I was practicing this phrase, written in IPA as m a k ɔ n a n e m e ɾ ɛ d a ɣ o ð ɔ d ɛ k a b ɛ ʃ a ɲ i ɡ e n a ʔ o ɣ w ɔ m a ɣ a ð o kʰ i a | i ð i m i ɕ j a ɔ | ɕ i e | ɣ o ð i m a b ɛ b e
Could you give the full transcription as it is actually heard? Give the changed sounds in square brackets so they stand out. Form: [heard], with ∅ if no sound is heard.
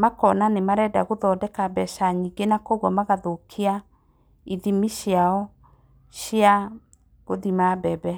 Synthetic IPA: m a k ɔ n a n e m [a] ɾ ɛ d a ɣ o ð ɔ d ɛ k a b ɛ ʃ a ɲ i ɡ e n a [k] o ɣ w ɔ m a ɣ a ð o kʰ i a | i ð i m i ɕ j a ɔ | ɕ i [a] | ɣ o ð i m a b ɛ b [ɛ]